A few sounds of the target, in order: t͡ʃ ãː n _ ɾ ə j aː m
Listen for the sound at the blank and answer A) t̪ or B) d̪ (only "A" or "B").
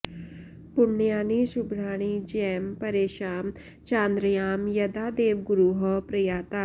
B